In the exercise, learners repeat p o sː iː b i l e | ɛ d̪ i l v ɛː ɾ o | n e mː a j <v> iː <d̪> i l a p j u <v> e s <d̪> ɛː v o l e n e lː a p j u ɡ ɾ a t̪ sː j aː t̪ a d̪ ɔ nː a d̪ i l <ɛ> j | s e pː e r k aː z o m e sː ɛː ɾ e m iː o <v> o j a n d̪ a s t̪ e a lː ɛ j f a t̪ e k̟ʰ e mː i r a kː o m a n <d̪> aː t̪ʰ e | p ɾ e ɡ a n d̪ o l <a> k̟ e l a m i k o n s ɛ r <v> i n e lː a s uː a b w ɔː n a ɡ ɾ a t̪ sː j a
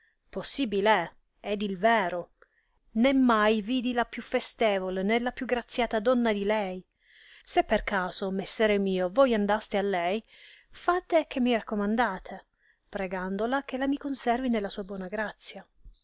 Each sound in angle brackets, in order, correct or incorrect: correct, correct, incorrect: f, incorrect: t̪, correct, correct, correct, correct, correct

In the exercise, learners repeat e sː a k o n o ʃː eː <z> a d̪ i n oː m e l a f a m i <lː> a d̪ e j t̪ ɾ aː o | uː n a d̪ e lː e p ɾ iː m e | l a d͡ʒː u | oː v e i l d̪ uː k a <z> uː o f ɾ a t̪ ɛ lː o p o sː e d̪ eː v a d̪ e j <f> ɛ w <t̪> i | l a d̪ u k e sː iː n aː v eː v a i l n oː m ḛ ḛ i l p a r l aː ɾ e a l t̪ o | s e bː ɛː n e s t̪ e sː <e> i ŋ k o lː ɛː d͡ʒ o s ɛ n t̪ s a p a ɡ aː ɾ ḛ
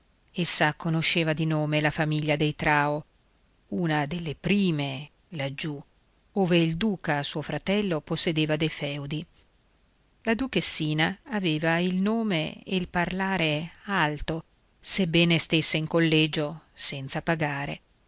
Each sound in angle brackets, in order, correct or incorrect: incorrect: v, incorrect: ʎː, incorrect: s, correct, incorrect: d̪, correct

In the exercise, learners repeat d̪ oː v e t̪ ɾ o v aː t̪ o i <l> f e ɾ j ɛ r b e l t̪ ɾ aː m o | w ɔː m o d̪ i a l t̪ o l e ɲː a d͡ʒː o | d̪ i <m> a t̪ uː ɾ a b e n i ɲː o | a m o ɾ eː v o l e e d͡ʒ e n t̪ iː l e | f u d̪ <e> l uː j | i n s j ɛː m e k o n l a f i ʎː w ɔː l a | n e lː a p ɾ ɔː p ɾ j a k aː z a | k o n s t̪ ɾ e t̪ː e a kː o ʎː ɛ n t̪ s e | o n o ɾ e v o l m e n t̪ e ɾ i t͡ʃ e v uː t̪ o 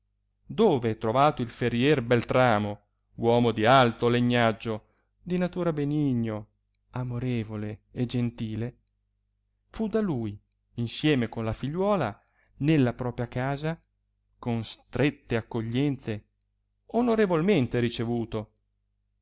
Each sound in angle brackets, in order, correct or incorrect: correct, incorrect: n, incorrect: a

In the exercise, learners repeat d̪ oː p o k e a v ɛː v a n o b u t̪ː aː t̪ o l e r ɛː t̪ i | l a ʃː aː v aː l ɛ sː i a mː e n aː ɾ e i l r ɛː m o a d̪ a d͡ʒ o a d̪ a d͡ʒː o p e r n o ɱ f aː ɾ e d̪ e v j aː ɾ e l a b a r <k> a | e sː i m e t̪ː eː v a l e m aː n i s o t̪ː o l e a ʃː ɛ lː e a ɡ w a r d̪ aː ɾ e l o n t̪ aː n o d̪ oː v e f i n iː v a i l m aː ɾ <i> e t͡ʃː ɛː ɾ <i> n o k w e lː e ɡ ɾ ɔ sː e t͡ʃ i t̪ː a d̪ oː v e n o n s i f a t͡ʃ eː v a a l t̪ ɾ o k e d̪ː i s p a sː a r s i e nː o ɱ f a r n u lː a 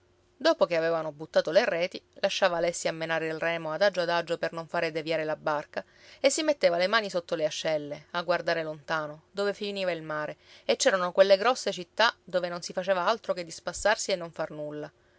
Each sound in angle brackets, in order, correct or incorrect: correct, incorrect: e, incorrect: a

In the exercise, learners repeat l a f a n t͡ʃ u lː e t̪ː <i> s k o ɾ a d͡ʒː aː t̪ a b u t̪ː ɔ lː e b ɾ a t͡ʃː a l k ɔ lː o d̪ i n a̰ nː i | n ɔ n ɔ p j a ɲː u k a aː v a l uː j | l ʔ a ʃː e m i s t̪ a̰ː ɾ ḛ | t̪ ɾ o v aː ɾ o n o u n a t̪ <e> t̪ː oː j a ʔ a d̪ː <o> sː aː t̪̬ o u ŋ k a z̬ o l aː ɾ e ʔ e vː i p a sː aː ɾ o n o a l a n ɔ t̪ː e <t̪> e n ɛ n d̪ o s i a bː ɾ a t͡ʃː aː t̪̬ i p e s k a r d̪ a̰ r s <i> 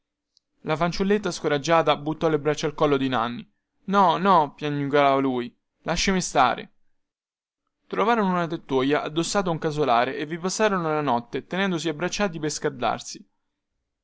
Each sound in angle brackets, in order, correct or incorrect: incorrect: a, correct, correct, correct, correct

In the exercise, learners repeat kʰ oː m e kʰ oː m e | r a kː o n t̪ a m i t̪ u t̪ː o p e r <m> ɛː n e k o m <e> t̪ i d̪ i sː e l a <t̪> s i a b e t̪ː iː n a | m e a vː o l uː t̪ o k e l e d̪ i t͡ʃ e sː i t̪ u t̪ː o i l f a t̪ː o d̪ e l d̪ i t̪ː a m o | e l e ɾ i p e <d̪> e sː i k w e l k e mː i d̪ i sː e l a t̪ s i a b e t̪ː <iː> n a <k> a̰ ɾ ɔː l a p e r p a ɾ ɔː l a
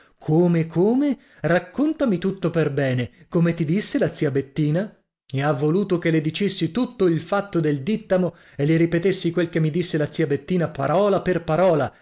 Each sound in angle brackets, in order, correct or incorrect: incorrect: b, correct, correct, incorrect: t̪, correct, incorrect: p

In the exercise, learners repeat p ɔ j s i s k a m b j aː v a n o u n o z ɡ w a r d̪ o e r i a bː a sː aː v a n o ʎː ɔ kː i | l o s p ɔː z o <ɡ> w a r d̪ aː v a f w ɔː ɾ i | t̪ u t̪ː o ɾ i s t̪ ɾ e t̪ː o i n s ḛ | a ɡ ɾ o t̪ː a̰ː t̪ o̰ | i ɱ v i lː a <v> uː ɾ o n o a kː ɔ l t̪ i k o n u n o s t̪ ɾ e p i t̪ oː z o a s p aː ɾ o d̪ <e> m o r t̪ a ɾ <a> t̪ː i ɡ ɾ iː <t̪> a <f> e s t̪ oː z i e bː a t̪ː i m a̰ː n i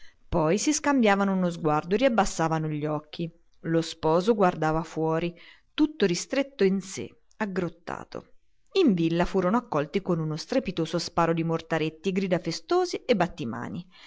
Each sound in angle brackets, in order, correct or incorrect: correct, incorrect: f, incorrect: i, incorrect: e, incorrect: d̪, correct

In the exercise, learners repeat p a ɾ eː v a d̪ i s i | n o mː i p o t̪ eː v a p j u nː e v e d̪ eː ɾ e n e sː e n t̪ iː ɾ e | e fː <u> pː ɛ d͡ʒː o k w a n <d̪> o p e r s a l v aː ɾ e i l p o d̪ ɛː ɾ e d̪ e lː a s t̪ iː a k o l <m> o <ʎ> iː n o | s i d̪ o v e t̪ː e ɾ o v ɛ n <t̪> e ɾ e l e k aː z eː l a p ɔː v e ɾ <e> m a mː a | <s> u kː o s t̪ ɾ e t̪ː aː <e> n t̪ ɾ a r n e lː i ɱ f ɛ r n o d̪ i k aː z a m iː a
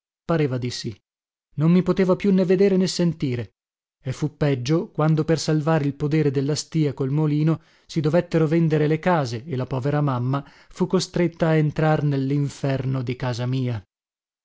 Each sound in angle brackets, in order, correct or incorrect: correct, correct, correct, incorrect: l, incorrect: d̪, incorrect: a, incorrect: f, correct

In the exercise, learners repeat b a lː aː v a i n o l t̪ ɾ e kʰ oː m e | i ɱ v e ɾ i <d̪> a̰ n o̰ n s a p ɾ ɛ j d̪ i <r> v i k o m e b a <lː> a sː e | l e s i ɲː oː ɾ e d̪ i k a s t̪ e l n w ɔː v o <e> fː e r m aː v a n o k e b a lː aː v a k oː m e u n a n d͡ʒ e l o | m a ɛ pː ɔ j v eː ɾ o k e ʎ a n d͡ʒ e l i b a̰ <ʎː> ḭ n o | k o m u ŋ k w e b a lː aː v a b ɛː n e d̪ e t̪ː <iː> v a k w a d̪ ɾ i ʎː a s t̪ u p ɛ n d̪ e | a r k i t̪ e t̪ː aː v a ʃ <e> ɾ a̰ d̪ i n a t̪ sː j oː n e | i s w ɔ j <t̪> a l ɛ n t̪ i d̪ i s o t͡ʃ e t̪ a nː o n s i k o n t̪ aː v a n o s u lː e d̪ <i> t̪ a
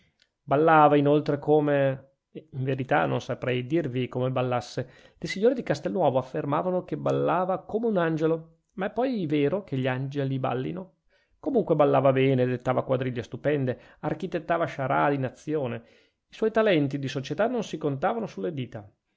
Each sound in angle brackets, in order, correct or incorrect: incorrect: t̪, correct, correct, incorrect: a, incorrect: lː, incorrect: aː, incorrect: a, correct, incorrect: iː

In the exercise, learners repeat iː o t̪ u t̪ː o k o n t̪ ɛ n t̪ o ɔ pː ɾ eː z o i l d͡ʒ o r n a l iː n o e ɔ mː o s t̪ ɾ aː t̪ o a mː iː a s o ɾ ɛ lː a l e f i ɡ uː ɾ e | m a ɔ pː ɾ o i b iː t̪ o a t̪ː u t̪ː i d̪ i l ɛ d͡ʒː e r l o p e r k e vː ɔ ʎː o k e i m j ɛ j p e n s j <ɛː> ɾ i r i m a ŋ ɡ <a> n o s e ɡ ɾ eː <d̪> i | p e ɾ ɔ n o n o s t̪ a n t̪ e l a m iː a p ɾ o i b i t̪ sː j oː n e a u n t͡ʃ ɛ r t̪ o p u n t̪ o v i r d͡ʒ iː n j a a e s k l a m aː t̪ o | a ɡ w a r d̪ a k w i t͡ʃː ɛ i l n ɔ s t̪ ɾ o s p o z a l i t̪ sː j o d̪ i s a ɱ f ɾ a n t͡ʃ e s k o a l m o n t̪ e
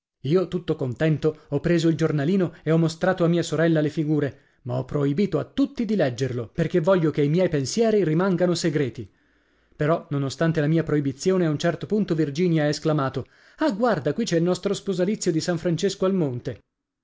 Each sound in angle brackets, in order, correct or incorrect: correct, correct, incorrect: t̪

